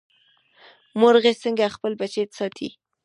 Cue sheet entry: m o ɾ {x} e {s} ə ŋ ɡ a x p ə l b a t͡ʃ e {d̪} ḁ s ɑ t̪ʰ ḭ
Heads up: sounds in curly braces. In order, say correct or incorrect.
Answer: incorrect: ɣ, correct, incorrect: t̪

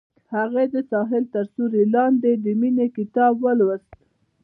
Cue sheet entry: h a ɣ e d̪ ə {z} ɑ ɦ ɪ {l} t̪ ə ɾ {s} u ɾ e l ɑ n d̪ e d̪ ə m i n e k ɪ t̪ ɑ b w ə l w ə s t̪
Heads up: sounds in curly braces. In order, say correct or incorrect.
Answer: incorrect: s, correct, correct

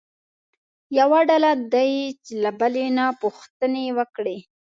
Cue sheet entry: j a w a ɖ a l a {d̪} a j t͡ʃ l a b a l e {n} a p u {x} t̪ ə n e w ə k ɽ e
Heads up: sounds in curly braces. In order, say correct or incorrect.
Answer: correct, correct, correct

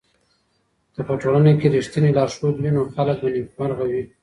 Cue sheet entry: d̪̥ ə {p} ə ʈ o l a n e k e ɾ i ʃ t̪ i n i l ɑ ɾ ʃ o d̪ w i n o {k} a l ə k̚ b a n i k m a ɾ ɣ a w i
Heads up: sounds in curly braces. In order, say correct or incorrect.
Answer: correct, incorrect: x

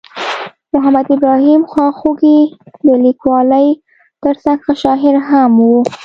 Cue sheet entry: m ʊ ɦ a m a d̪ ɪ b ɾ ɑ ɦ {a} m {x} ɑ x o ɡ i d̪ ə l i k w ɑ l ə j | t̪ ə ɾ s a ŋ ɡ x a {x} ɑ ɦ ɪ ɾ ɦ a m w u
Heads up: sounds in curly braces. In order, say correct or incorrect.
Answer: incorrect: i, correct, incorrect: ʃ

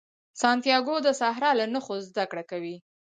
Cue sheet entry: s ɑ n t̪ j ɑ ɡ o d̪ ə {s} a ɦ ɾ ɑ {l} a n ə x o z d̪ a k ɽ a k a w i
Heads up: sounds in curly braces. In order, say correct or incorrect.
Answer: correct, correct

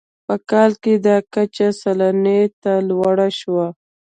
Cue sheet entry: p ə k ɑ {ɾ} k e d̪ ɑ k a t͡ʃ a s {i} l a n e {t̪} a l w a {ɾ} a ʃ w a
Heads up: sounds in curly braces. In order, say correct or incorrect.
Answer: incorrect: l, incorrect: a, correct, incorrect: ɽ

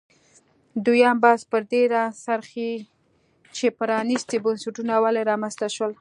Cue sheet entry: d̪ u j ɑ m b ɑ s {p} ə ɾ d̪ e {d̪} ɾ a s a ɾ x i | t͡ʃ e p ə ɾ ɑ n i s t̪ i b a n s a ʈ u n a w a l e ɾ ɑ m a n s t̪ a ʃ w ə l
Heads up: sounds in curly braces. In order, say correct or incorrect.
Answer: correct, incorrect: none

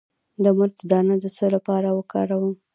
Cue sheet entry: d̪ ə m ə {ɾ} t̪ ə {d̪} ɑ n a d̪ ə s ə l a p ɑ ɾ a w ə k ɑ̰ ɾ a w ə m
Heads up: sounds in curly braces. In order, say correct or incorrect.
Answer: correct, correct

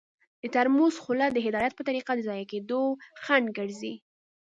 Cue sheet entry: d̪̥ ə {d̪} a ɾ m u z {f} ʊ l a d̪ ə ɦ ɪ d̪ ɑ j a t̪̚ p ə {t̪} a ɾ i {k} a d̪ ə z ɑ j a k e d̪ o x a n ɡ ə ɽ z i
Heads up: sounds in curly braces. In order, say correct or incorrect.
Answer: incorrect: t̪, incorrect: x, correct, incorrect: q

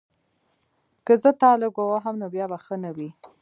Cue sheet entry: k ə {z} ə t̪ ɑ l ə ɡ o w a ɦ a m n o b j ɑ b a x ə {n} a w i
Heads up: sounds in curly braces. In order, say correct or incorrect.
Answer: correct, correct

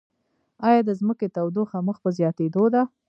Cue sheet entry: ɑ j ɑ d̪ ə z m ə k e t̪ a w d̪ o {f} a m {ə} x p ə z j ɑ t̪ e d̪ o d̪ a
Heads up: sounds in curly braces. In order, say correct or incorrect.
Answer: incorrect: x, correct

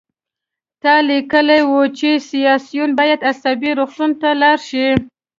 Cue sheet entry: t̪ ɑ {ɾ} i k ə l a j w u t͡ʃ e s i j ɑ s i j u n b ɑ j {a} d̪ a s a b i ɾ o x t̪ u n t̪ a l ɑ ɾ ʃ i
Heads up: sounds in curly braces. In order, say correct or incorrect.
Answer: incorrect: l, correct

